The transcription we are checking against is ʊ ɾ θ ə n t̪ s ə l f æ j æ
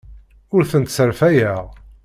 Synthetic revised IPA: ʊ ɾ θ ə n t̪ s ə ɾ f æ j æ